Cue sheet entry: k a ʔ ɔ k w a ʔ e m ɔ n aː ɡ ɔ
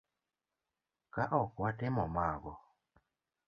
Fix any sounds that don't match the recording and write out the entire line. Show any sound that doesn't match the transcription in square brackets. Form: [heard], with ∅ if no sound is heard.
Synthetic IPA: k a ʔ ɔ k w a [t] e m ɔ [m] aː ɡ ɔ